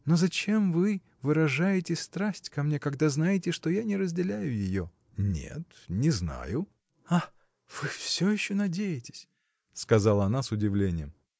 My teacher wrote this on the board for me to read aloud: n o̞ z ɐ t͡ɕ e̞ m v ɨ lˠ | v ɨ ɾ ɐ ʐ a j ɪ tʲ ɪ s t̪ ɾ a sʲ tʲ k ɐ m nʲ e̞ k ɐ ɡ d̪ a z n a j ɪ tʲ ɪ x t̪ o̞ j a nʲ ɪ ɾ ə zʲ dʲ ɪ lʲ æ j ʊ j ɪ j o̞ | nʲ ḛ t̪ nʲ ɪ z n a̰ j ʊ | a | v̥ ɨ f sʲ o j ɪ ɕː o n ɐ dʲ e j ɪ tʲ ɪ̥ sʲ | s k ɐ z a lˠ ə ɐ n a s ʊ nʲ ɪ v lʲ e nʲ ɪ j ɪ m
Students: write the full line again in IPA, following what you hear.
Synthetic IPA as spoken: n o̞ z ɐ t͡ɕ e̞ m v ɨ | v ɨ ɾ ɐ ʐ a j ɪ tʲ ɪ s t̪ ɾ a sʲ tʲ k ɐ m nʲ e̞ k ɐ ɡ d̪ a z n a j ɪ tʲ ɪ ʂ t̪ o̞ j a nʲ ɪ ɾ ə zʲ dʲ ɪ lʲ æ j ʊ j ɪ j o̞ | nʲ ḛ t̪ nʲ ɪ z n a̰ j ʊ | a | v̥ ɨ f sʲ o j ɪ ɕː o n ɐ dʲ e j ɪ tʲ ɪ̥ sʲ | s k ɐ z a lˠ ə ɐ n a s ʊ dʲ ɪ v lʲ e nʲ ɪ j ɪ m